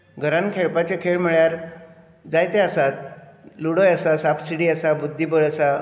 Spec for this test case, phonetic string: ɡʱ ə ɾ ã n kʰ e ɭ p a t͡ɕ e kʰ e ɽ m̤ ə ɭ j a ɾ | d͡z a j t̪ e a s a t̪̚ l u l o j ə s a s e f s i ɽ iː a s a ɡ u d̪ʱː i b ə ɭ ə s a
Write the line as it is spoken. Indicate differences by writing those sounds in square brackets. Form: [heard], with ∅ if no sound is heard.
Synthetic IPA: ɡʱ ə ɾ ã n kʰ e ɭ p a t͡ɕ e kʰ e [ɭ] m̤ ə ɭ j a ɾ | d͡z a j t̪ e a s a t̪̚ l u [ɽ] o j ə s a s [a] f s i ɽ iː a s a [b] u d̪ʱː i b ə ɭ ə s a